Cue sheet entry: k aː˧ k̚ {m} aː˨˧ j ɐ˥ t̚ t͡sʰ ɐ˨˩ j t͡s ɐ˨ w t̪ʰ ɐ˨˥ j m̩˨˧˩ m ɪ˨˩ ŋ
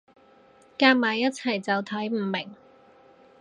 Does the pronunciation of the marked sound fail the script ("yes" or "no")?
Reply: no